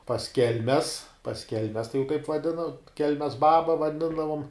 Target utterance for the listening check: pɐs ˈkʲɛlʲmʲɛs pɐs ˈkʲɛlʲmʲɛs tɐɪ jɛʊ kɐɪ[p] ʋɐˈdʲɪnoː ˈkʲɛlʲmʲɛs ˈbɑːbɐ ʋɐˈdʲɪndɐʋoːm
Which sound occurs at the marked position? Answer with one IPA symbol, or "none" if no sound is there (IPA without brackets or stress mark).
p